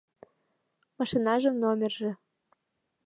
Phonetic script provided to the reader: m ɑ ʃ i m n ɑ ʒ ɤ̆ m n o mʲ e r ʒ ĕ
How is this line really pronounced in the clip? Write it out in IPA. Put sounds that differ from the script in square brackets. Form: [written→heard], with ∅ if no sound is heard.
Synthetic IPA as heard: m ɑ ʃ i [m→∅] n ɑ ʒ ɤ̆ m n o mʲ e r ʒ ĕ

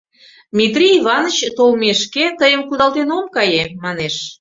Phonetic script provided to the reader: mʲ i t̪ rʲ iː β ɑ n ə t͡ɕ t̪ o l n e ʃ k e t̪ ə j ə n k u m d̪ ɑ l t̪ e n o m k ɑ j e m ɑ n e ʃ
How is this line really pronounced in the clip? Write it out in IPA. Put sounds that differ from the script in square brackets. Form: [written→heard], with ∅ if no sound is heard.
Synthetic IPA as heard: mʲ i t̪ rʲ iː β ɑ n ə t͡ɕ t̪ o l [n→m] e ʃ k e t̪ ə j ə [n→m] k u [m→∅] d̪ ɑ l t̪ e n o m k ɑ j e m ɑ n e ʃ

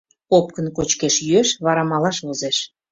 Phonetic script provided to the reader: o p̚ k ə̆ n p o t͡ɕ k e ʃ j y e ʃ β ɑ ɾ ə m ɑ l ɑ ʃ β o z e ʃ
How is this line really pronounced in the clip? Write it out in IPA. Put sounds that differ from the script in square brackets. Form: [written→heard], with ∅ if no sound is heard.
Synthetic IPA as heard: o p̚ k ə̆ n [p→k] o t͡ɕ k e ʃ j y e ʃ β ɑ ɾ [ə→ɑ] m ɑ l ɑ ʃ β o z e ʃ

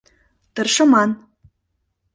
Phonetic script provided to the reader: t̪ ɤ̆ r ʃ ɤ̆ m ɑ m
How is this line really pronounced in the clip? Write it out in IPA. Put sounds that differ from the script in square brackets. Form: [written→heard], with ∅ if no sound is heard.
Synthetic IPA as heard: t̪ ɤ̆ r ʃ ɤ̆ m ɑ [m→n]

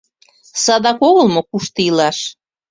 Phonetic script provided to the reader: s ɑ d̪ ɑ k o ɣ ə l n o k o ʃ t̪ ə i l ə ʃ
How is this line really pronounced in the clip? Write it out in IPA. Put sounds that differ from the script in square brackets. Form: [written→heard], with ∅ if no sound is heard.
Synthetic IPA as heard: s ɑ d̪ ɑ k o ɣ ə l [n→m] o k [o→u] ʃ t̪ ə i l [ə→ɑ] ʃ

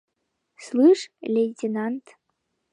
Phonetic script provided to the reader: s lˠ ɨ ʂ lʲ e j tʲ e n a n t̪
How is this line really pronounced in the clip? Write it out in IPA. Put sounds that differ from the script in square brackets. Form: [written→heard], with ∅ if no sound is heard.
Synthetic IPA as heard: s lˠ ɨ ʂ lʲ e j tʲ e n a n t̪

